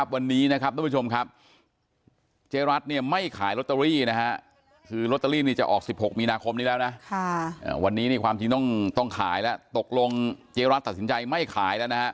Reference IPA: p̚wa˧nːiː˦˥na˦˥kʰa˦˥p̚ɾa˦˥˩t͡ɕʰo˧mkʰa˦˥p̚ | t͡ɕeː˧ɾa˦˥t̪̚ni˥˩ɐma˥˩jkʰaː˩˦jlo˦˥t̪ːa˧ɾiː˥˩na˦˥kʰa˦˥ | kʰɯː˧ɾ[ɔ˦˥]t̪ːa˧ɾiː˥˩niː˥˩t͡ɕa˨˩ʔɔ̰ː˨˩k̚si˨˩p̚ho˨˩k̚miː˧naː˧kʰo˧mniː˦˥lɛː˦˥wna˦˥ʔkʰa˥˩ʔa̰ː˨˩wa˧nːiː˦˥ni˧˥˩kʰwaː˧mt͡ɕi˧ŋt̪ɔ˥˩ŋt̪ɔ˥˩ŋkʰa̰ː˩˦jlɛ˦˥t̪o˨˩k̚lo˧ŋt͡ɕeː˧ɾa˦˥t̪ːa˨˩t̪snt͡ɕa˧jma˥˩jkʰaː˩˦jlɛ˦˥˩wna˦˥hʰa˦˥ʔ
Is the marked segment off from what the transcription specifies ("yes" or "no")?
yes